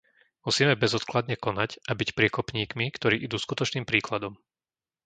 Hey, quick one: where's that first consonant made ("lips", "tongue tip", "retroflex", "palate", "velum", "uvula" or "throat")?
lips